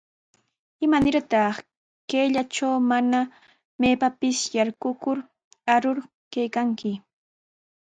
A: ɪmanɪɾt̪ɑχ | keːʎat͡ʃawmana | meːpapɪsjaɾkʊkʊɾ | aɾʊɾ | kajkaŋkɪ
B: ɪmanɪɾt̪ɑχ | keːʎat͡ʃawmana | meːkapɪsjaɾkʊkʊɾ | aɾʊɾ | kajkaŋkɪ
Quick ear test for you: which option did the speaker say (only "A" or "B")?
A